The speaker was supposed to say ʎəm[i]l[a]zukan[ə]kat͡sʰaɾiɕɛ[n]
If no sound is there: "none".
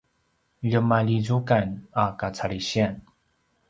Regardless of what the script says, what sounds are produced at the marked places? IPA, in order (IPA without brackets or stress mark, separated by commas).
a, i, a, n